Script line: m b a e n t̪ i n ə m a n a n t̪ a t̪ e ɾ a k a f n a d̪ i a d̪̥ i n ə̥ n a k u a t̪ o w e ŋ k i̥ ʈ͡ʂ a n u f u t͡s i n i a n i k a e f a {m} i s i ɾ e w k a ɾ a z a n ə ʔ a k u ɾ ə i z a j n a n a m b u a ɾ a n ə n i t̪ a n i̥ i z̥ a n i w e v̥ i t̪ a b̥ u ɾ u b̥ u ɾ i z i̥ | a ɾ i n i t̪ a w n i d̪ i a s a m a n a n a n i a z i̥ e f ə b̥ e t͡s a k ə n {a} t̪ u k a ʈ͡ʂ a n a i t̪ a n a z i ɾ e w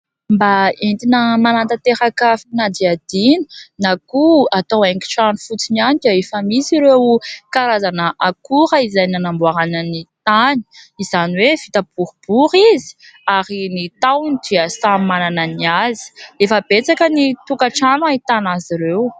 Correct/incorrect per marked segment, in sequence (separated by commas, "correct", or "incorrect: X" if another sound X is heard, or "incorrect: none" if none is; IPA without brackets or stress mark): correct, incorrect: i